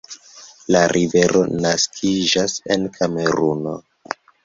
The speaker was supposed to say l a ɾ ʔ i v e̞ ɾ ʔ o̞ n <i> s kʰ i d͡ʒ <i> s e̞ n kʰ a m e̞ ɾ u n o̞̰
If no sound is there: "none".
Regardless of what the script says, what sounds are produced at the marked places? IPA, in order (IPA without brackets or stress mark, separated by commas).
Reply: a, a